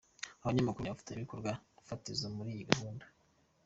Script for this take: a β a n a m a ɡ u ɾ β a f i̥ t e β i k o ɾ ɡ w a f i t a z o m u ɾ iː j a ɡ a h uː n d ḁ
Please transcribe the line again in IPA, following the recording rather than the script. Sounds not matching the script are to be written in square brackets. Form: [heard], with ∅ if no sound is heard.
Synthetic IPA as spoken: a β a [ɲ] a m a [k] u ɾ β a f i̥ t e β i k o ɾ ɡ w a f [a] t [i] z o m u ɾ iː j [i] ɡ a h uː n d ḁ